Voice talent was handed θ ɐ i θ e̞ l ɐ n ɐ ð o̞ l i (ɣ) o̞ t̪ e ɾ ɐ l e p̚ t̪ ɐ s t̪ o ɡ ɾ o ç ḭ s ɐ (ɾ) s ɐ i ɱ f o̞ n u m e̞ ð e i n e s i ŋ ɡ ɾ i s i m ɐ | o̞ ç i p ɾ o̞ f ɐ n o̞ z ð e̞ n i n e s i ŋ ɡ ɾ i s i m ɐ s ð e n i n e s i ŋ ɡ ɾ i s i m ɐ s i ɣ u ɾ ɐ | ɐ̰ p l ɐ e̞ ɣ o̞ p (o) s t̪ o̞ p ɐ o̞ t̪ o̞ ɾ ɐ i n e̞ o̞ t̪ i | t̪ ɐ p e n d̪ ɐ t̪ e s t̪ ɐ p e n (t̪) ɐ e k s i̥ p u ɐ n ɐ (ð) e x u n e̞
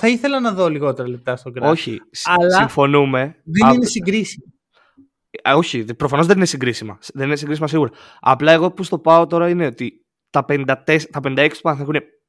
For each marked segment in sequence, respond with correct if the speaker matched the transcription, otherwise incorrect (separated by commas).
correct, incorrect, incorrect, incorrect, incorrect